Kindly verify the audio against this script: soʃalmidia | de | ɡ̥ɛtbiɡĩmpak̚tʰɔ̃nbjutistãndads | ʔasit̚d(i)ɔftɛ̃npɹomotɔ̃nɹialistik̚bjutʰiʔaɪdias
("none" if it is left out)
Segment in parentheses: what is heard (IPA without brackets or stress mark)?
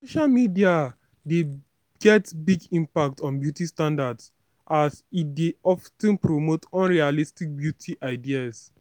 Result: e